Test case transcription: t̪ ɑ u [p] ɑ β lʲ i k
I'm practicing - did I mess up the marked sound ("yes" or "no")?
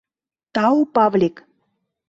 no